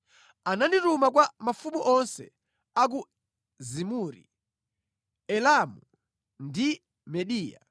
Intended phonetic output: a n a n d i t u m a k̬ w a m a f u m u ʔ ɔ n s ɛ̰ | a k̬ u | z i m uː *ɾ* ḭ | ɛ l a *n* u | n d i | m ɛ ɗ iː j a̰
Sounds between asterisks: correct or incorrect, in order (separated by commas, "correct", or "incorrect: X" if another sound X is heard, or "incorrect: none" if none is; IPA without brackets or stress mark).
correct, incorrect: m